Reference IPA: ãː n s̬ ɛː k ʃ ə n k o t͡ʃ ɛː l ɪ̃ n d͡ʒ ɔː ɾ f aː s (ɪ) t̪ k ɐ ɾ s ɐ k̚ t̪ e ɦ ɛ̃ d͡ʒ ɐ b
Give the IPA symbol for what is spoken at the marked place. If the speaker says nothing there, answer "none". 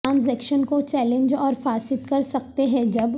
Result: ɪ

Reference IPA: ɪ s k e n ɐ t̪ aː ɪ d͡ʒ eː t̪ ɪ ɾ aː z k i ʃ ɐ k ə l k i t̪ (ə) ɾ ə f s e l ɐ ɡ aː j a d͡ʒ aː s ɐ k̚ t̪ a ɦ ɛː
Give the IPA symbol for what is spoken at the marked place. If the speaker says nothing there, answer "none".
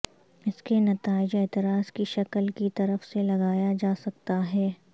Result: ɐ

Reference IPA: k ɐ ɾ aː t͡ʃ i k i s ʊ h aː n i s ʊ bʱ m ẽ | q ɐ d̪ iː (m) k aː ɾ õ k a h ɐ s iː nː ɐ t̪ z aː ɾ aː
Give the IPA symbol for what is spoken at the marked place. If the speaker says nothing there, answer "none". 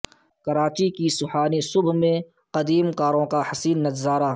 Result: m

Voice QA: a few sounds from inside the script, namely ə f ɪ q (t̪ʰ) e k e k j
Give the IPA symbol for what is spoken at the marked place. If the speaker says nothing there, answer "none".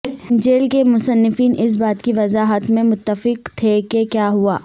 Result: t̪ʰ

